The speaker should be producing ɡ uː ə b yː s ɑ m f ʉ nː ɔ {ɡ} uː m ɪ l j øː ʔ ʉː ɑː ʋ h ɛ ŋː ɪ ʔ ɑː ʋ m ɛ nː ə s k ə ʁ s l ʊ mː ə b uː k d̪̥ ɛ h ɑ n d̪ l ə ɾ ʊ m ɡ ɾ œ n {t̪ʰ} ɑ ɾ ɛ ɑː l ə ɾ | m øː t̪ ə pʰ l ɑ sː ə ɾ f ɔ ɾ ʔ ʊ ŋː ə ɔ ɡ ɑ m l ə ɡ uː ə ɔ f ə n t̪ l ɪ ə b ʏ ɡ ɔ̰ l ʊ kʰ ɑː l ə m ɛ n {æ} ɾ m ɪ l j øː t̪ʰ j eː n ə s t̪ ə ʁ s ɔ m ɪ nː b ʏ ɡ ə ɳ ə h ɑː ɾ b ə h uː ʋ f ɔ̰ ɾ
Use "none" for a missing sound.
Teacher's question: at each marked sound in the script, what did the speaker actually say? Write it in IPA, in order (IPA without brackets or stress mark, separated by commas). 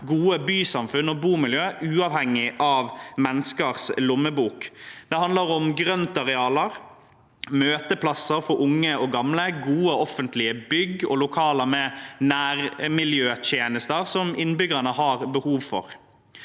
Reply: b, t̪, æː